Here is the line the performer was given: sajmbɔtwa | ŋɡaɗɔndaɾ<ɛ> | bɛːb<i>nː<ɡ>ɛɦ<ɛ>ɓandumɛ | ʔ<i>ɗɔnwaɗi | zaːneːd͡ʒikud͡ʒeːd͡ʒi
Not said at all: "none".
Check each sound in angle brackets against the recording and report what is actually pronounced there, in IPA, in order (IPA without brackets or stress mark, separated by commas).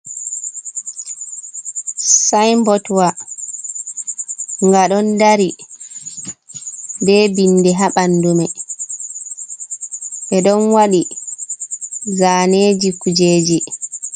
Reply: i, i, d, a, ɛ